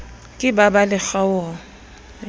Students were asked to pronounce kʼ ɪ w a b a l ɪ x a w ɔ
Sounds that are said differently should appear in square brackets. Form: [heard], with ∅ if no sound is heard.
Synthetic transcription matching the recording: kʼ ɪ [b] a b a l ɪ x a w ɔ